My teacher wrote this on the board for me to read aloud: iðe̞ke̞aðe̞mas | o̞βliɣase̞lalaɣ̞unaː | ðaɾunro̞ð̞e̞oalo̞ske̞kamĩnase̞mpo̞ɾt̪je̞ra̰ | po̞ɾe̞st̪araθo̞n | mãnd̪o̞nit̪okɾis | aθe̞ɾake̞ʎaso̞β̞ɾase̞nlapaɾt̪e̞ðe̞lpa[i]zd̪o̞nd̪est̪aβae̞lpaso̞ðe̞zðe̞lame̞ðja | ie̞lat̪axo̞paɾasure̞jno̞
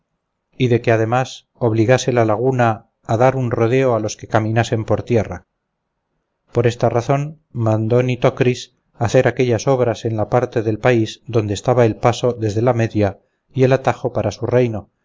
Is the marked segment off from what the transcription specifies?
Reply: no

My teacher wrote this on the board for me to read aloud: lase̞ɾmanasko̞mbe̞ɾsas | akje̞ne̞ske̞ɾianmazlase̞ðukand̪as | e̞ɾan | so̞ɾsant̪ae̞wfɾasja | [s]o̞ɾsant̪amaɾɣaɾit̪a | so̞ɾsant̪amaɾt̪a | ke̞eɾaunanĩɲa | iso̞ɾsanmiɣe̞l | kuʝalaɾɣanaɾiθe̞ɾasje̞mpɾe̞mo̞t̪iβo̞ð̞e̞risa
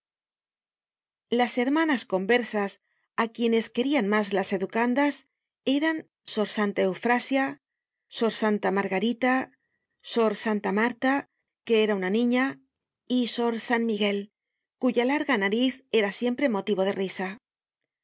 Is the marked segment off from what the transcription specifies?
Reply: no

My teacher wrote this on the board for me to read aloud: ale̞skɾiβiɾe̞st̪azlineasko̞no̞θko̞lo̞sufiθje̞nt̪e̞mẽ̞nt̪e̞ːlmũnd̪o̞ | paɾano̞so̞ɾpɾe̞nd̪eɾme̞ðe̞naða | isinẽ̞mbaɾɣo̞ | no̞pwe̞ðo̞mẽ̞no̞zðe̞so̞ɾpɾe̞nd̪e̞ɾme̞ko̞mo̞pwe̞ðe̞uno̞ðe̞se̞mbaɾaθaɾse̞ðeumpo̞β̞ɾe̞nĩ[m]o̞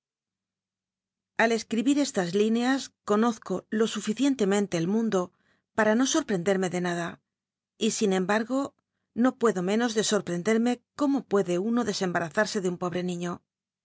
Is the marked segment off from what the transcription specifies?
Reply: yes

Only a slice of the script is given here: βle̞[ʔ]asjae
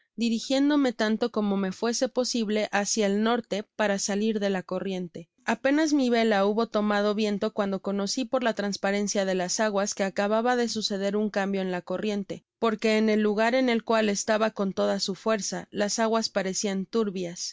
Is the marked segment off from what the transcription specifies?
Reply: no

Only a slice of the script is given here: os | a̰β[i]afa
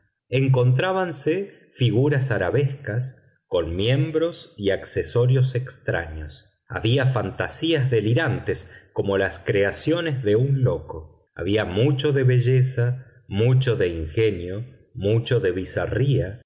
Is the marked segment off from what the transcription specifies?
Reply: no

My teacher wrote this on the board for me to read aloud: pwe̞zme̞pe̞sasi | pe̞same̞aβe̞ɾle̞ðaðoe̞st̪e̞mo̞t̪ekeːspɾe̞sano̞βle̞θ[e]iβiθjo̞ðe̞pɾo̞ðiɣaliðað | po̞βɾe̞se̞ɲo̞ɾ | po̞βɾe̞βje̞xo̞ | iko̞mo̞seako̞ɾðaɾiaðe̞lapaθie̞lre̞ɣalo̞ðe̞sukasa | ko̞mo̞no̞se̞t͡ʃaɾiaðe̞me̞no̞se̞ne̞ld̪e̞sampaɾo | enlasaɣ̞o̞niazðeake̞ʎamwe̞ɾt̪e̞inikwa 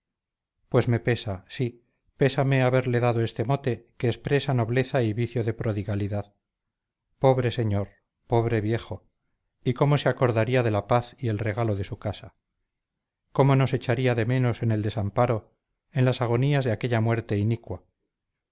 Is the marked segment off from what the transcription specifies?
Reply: yes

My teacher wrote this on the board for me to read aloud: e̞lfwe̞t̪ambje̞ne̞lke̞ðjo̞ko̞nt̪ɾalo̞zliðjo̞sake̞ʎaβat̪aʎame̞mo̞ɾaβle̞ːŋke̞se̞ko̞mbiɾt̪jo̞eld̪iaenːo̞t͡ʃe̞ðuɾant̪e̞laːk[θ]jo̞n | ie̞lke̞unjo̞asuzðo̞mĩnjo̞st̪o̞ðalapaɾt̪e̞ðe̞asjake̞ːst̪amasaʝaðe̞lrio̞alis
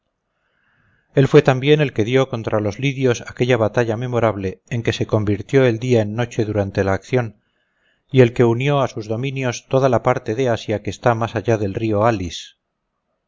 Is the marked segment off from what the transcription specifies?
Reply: no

